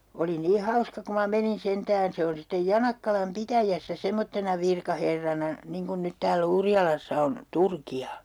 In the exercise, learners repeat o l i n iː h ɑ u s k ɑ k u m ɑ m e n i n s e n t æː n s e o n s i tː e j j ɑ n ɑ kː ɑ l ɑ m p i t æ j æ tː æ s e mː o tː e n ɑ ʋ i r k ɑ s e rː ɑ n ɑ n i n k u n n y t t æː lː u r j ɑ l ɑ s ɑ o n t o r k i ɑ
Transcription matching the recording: o l i n iː h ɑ u s k ɑ k u m ɑ m e n i n s e n t æː n s e o n s i tː e j j ɑ n ɑ kː ɑ l ɑ m p i t æ j æ sː æ s e mː o tː e n ɑ ʋ i r k ɑ h e rː ɑ n ɑ n i ŋ k u n n y t t æː lː u r j ɑ l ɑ sː ɑ o n t u r k i ɑ